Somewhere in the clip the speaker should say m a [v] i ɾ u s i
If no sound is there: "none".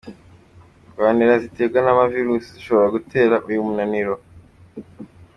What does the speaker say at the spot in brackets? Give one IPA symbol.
v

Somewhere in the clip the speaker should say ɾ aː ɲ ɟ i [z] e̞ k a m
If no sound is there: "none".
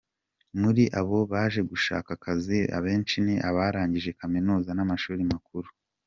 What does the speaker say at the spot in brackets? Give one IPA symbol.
ʒ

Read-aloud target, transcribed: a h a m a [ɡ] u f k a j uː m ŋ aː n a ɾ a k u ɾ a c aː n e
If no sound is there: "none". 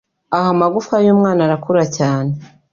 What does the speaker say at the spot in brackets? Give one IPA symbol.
ɡ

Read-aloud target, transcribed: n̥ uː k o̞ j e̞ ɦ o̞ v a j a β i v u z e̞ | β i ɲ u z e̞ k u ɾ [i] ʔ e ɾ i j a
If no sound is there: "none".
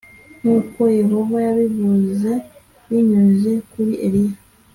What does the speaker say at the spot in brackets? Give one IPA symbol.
i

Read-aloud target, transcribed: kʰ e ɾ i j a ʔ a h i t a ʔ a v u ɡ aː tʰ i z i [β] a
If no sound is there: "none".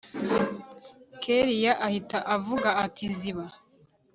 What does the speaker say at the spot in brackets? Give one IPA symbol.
β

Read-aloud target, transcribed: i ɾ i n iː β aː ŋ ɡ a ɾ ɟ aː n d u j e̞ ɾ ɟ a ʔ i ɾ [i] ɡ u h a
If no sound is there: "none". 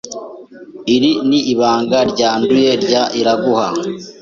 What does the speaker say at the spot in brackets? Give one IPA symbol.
a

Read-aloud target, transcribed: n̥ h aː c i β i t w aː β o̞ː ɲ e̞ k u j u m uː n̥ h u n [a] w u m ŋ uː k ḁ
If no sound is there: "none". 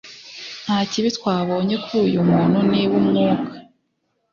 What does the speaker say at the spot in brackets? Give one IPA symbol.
i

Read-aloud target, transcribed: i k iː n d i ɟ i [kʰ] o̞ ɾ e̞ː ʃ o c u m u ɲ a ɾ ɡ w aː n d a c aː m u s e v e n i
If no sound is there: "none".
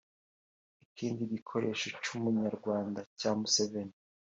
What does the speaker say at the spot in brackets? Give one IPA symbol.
kʰ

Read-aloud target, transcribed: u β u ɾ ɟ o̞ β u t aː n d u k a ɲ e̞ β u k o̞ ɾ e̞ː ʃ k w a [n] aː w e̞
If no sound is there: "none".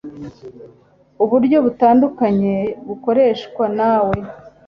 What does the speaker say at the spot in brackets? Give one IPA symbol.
n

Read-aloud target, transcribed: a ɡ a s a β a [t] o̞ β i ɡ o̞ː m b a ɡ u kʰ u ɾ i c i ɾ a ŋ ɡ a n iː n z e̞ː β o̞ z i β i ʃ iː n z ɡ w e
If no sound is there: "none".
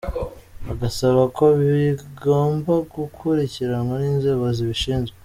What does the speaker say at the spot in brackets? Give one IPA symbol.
k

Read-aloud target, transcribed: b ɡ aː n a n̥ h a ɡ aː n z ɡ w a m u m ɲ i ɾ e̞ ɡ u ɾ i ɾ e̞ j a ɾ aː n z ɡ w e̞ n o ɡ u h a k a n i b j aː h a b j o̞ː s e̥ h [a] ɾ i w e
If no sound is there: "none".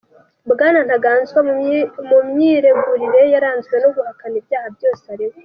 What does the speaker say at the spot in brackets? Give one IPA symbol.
a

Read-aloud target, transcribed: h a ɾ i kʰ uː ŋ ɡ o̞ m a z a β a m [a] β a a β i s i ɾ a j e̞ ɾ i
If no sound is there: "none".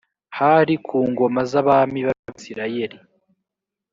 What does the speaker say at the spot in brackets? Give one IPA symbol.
i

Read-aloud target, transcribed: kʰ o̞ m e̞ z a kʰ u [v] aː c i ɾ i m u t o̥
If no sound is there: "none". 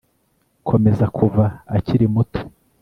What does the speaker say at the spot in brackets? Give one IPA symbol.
v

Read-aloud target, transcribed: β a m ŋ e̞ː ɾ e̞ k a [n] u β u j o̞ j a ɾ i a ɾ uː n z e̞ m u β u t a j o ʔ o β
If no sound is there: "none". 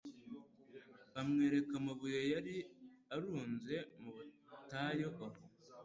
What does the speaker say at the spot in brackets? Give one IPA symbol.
m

